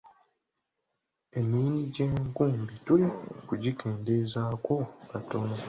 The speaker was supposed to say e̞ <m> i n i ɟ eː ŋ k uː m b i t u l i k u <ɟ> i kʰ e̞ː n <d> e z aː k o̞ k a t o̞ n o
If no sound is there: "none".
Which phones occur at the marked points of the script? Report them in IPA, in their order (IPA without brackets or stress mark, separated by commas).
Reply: m, ɟ, d